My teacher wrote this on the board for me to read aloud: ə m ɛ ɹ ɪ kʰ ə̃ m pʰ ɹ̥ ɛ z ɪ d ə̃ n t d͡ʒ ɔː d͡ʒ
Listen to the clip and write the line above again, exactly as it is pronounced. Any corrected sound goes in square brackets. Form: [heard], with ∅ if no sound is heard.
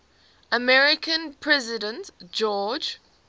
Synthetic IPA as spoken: ə m ɛ ɹ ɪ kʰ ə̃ [n] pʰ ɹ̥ ɛ z ɪ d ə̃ n t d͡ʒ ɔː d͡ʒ